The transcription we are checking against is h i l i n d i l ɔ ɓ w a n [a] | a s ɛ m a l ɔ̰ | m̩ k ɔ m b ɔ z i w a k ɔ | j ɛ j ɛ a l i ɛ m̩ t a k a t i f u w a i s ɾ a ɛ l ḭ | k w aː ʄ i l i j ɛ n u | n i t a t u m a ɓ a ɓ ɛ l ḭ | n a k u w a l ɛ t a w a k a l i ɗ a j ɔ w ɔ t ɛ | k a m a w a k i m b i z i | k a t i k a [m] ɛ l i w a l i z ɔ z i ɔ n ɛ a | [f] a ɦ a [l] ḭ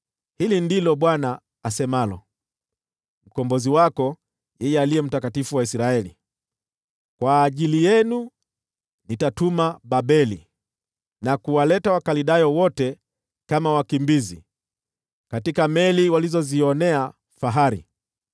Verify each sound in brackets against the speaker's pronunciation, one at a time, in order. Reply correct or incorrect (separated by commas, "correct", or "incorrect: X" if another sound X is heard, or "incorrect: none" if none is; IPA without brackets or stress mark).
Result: correct, correct, correct, incorrect: ɾ